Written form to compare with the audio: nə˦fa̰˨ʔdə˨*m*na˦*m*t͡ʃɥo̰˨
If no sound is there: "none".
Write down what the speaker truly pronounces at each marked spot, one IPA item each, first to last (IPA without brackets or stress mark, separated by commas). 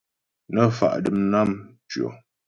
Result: m, m